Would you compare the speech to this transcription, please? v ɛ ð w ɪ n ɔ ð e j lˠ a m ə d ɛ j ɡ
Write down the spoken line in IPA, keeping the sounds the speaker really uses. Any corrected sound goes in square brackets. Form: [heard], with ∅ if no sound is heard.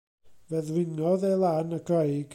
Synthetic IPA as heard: v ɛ ð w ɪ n ɔ ð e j lˠ a [n] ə [ɡ] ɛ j ɡ